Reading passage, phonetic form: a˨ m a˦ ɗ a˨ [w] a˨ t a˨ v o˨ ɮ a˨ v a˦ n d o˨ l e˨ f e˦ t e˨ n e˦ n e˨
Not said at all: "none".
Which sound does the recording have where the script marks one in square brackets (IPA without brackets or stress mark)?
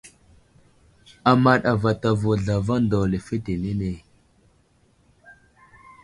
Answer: v